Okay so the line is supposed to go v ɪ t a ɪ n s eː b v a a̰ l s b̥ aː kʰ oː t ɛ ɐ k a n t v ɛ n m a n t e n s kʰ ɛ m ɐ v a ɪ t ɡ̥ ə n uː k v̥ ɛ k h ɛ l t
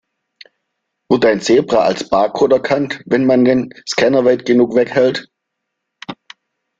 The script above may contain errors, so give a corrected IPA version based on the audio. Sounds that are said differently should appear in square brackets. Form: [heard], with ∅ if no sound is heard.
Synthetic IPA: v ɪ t a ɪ n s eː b [ʁ] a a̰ l s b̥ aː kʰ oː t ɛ ɐ [kʰ] a n t v ɛ n m a n [d] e n s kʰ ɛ [n] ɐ v a ɪ t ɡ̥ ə n uː k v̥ ɛ k h ɛ l t